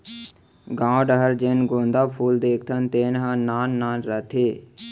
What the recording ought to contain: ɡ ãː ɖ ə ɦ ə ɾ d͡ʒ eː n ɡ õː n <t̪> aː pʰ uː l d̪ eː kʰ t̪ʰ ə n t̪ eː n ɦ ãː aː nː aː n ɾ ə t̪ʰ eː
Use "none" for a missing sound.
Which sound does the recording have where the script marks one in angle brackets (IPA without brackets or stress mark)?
d̪